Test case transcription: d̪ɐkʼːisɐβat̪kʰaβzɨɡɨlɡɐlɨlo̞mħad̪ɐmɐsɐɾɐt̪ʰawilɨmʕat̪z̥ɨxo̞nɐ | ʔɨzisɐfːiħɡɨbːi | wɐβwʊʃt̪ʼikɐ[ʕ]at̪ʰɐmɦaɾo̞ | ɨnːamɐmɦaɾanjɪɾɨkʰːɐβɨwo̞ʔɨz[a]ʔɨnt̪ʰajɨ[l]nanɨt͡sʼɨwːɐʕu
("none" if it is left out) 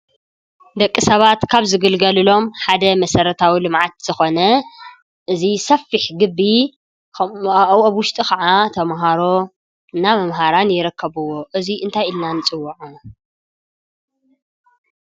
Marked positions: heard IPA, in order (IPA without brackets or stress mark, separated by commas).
ʕ, i, l